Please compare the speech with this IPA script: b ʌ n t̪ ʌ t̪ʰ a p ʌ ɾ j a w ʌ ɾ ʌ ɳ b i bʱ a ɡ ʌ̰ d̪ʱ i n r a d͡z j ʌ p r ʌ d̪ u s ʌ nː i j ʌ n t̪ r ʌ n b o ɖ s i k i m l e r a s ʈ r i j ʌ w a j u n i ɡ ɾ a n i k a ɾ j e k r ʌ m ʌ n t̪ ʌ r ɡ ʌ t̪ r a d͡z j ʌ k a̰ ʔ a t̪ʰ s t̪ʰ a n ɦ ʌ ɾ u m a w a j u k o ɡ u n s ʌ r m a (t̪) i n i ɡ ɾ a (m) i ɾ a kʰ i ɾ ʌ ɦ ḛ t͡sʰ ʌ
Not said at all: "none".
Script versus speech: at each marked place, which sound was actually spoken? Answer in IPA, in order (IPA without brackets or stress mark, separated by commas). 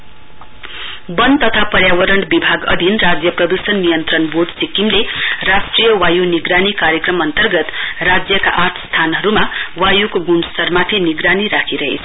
t̪ʰ, n